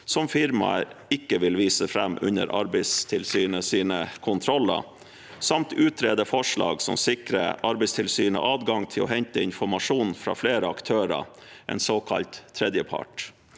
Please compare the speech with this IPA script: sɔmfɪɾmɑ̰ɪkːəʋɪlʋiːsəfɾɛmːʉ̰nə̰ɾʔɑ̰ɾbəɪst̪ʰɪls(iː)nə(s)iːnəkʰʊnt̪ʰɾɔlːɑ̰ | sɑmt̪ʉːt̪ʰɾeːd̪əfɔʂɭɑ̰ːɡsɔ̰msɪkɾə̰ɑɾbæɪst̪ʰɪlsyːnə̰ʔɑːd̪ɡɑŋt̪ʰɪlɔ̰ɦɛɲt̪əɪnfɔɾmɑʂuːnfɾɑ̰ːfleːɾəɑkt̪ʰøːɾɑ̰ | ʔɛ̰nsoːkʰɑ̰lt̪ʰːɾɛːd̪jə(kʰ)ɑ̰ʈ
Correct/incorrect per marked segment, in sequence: incorrect, correct, incorrect

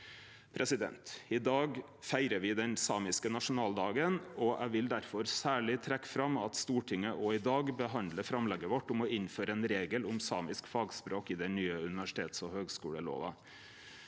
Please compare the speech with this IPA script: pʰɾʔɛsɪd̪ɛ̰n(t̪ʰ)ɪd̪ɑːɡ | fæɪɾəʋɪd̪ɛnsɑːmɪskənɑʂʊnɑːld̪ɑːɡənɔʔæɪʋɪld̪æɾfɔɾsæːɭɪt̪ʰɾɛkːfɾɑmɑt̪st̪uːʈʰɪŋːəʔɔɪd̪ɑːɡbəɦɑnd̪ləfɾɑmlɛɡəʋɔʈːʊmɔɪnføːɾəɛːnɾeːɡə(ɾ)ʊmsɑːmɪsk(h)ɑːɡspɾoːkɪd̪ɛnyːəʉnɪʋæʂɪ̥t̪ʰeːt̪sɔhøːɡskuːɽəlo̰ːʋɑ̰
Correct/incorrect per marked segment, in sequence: incorrect, incorrect, incorrect

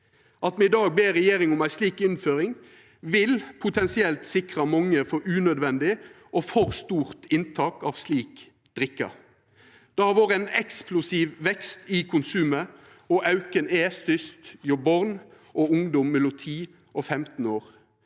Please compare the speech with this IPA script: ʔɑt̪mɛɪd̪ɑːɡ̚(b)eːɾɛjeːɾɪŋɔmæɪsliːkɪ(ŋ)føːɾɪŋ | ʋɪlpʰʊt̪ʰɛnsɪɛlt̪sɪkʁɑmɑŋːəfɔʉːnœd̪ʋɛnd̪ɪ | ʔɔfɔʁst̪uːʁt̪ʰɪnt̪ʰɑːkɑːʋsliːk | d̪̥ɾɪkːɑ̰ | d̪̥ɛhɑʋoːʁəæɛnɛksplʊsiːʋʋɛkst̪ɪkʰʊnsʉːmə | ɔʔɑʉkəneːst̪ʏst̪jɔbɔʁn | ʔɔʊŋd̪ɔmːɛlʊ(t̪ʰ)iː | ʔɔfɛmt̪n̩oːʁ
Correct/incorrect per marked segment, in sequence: correct, incorrect, correct

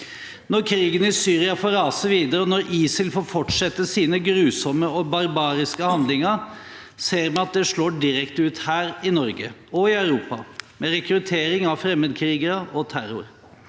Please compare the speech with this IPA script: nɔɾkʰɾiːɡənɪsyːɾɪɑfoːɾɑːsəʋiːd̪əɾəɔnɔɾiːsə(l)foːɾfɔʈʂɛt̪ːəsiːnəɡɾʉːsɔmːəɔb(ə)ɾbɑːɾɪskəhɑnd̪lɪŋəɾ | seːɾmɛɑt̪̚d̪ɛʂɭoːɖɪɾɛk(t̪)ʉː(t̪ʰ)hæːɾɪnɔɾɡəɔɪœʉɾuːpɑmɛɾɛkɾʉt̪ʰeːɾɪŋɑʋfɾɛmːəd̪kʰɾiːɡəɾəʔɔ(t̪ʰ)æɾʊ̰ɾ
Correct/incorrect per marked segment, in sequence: correct, incorrect, correct, incorrect, correct

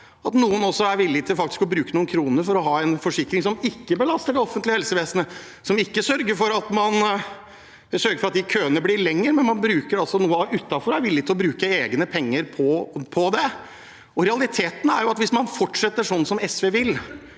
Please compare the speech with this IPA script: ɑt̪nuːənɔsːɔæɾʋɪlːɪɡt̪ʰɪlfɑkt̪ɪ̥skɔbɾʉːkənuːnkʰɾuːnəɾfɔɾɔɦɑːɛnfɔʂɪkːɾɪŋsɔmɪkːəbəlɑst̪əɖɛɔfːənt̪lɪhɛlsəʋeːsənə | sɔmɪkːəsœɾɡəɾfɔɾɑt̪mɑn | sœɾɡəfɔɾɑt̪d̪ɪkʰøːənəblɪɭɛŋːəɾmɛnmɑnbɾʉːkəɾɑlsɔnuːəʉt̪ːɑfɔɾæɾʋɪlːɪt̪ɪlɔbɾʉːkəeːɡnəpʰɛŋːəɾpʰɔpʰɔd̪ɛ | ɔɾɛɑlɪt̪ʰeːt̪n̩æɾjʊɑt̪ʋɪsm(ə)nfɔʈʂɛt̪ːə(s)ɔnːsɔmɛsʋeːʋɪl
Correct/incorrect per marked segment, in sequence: incorrect, incorrect

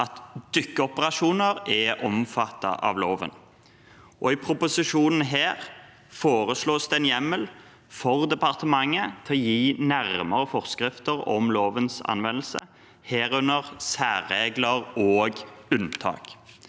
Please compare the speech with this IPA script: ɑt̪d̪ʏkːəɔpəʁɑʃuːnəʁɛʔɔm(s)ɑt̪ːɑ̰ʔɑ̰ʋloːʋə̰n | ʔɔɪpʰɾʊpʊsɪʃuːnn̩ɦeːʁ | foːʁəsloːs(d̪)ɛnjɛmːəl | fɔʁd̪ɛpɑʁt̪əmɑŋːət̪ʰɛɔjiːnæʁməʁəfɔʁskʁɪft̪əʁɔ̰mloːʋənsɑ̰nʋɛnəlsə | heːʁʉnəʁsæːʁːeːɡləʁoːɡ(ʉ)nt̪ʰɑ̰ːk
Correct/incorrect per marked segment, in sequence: incorrect, correct, correct

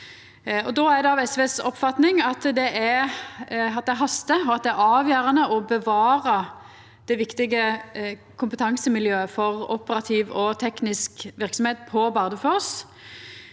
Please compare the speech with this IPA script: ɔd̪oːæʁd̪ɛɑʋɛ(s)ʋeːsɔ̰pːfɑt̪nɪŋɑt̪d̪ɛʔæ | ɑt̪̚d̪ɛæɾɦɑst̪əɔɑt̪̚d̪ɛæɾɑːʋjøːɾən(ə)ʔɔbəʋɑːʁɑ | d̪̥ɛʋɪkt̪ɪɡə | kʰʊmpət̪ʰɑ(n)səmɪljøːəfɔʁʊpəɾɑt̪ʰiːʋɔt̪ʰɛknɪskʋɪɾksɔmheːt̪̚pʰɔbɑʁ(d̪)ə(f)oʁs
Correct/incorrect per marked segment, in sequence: correct, correct, incorrect, correct, correct

